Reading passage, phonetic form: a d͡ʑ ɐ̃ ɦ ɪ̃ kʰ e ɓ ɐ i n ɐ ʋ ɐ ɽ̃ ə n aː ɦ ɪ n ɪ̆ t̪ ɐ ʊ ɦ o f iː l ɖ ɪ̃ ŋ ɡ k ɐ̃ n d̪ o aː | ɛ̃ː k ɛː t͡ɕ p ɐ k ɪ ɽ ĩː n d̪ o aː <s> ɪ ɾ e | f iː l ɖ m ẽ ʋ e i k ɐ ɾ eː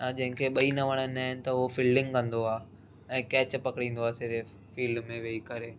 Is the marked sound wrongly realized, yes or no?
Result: no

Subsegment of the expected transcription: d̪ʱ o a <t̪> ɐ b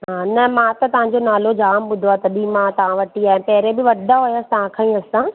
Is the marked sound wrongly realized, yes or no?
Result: no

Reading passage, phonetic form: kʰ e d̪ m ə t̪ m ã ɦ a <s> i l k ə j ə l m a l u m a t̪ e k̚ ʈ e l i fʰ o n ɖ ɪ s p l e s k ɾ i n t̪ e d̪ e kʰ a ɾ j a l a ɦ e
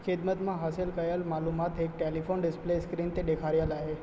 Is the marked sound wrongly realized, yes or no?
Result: no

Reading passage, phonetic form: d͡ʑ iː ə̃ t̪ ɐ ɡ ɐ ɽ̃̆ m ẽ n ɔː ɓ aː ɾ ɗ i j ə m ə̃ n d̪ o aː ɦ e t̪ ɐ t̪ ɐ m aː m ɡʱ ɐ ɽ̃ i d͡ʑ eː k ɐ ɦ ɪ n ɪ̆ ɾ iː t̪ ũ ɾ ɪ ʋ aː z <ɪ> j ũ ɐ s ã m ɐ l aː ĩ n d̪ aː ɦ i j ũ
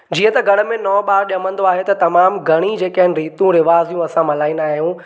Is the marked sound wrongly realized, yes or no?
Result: yes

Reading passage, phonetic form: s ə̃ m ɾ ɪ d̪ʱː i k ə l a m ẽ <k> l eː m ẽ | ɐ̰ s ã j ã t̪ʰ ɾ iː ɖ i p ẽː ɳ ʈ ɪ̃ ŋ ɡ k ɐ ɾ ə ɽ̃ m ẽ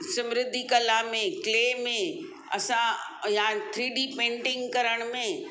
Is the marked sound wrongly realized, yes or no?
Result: no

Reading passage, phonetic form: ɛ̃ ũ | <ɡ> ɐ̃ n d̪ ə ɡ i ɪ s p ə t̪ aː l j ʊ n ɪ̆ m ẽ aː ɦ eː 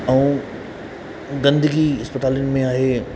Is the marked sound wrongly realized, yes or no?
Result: no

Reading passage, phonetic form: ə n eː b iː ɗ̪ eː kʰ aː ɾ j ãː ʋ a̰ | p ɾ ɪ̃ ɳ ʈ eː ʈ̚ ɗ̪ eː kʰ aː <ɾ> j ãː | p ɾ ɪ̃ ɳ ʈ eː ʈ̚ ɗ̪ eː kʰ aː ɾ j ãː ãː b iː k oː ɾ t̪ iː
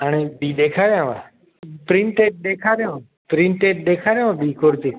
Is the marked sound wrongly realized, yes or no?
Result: no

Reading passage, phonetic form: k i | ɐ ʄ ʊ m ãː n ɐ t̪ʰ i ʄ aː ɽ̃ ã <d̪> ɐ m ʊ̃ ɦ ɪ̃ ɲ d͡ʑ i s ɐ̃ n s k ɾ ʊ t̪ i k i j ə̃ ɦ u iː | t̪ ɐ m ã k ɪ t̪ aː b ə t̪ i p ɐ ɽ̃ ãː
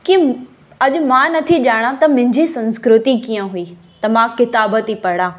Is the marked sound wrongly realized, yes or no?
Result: yes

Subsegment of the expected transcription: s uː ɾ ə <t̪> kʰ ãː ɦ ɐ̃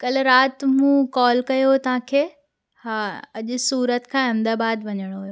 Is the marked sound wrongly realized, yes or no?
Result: no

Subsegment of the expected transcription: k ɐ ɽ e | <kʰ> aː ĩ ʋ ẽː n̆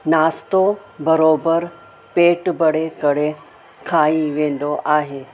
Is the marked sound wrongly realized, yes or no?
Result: no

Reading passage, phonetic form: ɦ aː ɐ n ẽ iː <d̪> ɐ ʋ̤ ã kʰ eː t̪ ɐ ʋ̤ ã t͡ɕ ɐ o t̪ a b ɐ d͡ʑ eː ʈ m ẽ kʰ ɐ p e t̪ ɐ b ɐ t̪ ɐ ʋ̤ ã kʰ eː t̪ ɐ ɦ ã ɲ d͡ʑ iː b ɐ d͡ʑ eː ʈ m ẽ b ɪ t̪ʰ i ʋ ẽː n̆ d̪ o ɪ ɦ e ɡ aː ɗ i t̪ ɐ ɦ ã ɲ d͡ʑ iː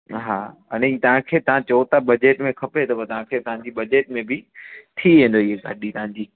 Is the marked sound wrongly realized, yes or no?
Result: yes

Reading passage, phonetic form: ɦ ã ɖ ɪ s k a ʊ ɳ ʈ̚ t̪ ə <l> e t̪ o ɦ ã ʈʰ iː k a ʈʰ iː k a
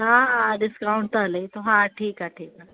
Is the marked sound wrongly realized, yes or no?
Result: no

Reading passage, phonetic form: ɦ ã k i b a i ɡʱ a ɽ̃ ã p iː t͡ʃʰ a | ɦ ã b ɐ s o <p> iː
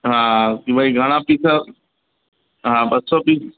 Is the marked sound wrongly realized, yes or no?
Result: no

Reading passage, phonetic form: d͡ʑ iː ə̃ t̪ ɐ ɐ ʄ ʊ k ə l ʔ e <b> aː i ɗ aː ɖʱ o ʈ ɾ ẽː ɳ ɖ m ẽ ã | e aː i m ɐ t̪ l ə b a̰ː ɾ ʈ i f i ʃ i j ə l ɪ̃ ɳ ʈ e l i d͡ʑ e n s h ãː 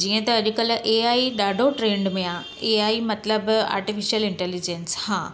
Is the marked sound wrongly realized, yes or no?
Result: yes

